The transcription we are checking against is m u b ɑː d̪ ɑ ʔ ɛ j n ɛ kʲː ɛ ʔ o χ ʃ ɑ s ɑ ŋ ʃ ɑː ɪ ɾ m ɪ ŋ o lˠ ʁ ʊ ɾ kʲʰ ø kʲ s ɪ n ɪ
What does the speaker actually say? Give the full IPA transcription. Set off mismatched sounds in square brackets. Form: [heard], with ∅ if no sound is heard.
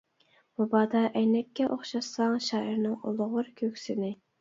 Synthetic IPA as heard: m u b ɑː d̪ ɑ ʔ ɛ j n ɛ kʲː ɛ ʔ o χ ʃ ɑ s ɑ ŋ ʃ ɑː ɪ ɾ [n] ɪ ŋ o lˠ ʁ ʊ ɾ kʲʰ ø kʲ s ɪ n ɪ